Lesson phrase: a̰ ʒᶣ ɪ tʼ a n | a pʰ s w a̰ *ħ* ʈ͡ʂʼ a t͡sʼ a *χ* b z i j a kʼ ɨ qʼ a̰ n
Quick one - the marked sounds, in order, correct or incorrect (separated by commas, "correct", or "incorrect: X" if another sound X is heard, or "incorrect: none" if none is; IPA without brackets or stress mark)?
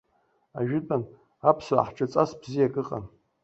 correct, incorrect: s